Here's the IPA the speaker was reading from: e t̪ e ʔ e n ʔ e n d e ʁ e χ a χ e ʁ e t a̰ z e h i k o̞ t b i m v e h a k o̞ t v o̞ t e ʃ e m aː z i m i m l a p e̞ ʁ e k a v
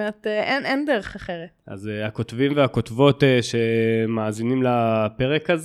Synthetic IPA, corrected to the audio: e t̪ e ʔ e n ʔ e n d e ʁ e χ a χ e ʁ e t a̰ z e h a k o̞ t v i m v e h a k o̞ t v o̞ t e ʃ e m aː z i n i m l a p e̞ ʁ e k a z